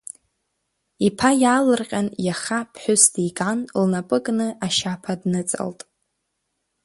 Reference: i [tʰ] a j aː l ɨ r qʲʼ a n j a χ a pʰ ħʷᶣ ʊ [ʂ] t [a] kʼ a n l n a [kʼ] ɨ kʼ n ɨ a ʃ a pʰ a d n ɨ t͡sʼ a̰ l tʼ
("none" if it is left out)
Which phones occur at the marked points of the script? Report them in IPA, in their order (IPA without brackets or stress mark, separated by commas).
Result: pʰ, s, i, pʼ